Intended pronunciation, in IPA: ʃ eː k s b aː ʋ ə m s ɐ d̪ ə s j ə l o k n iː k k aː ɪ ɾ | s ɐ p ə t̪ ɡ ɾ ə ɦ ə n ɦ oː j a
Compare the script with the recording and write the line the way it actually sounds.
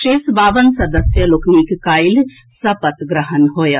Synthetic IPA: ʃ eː s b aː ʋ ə n s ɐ d̪ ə s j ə l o k n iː k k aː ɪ l | s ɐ p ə t̪ ɡ ɾ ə ɦ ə n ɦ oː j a